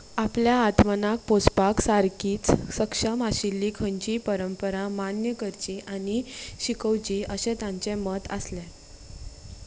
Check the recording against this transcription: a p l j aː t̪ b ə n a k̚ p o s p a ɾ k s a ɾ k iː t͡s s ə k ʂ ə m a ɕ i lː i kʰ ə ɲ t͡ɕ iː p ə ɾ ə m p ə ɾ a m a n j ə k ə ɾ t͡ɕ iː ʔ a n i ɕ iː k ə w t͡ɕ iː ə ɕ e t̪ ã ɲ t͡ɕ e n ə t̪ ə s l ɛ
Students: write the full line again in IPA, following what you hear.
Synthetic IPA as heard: a p l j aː t̪ m ə n a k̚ p o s p a k s a ɾ k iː t͡s s ə k ʂ ə m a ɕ i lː i kʰ ə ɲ t͡ɕ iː p ə ɾ ə m p ə ɾ a m a n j ə k ə ɾ t͡ɕ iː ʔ a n i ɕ i k ə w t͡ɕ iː ə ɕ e t̪ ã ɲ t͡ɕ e m ə t̪ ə s l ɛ